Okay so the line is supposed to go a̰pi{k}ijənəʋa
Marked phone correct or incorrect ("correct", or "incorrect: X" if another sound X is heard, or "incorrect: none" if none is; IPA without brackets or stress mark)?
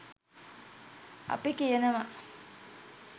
correct